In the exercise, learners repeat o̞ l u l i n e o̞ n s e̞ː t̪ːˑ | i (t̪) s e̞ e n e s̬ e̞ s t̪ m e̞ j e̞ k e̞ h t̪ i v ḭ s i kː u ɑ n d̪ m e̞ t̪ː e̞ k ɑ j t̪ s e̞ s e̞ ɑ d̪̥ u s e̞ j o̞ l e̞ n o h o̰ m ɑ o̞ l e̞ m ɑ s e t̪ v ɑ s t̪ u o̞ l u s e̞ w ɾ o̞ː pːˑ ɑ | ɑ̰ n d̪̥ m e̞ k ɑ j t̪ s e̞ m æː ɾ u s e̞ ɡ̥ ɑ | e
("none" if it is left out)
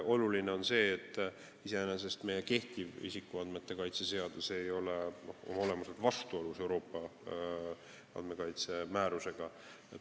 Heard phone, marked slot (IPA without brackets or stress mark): none